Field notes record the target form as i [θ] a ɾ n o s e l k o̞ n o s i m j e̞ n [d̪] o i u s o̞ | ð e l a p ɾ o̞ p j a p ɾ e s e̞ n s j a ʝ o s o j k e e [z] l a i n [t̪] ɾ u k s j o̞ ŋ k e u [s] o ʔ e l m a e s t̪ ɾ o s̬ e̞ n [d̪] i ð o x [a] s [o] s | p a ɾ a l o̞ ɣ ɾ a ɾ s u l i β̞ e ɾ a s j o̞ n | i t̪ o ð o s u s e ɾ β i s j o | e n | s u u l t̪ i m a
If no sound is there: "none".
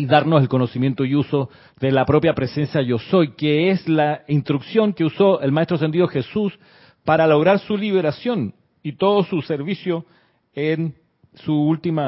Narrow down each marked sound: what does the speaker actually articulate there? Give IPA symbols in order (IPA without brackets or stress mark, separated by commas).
ð, t̪, s, t̪, s, d̪, e, u